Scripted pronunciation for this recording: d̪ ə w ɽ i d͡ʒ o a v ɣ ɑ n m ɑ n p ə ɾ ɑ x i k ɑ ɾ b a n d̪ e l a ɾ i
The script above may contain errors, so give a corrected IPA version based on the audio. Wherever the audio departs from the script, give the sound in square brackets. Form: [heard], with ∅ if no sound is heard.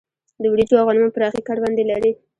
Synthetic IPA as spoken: d̪ ə w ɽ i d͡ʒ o a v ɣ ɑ n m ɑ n p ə ɾ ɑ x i k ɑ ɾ b [ɑ] n d̪ e l a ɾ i